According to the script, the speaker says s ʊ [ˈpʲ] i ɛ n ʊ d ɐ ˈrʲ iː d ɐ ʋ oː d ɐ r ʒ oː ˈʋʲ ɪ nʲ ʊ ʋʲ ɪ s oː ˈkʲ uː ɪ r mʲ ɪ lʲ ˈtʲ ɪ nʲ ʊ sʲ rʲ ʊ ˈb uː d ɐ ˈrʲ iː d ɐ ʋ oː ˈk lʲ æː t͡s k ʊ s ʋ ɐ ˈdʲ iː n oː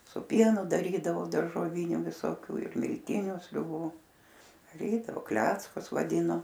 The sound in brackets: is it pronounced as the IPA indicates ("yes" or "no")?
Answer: yes